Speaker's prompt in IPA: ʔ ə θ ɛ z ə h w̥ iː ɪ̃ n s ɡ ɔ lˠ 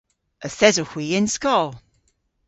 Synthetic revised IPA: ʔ ə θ ɛ z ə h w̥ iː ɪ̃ n s k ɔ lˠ

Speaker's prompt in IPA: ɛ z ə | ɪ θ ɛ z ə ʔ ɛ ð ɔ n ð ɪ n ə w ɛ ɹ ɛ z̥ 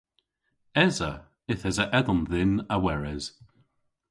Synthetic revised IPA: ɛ z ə | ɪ θ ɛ z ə ʔ ɛ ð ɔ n ð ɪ n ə w ɛ ɹ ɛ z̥

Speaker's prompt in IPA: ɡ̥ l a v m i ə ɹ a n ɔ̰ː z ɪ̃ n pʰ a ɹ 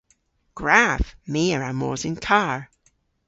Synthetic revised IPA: ɡ̥ ɹ a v m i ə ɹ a m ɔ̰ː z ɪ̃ n kʰ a ɹ

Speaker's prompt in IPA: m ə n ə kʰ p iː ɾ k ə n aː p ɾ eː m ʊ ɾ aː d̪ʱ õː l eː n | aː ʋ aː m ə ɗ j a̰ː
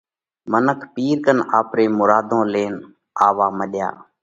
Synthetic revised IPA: m ə n ə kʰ p iː ɾ k ə n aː p ɾ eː m ʊ ɾ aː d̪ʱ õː l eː n | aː ʋ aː m ə ɗ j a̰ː

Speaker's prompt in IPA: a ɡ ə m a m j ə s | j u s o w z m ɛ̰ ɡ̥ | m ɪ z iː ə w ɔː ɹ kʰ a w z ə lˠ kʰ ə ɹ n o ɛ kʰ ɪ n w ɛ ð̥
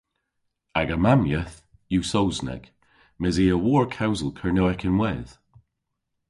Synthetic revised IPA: a ɡ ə m a m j ə θ | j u s o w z n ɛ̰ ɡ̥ | m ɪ z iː ə w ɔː ɹ kʰ a w z ə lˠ kʰ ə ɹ n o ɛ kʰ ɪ n w ɛ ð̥

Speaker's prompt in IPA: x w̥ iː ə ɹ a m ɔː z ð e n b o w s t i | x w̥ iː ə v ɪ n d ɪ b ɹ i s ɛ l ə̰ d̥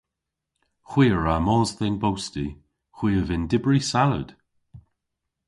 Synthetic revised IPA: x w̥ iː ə ɹ a m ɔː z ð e n b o w s t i | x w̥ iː ə v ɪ n d ɪ b ɹ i s a l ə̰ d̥

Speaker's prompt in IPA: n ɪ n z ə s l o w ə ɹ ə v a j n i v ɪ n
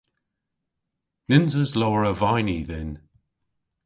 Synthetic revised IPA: n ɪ n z ə z l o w ə ɹ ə v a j n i ð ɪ n

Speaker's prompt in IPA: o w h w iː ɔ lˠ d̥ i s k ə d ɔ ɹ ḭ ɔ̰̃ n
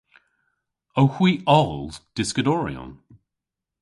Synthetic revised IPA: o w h w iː ɔ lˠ d̥ ɪ s k ə d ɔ ɹ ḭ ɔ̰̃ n

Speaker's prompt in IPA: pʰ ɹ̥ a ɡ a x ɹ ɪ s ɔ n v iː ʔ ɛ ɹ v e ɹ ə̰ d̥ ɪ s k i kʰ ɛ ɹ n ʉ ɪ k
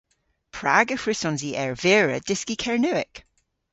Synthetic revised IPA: pʰ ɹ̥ a ɡ ə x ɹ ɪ s ɔ n z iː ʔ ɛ ɹ v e ɹ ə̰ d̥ ɪ s k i kʰ ɛ ɹ n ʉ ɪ k

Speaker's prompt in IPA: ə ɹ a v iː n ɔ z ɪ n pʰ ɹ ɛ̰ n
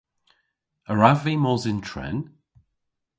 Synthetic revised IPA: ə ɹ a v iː m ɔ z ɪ n tʰ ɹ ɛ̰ n

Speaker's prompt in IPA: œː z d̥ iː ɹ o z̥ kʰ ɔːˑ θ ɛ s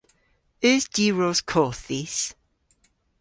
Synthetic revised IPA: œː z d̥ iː ɹ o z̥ kʰ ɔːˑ θ i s

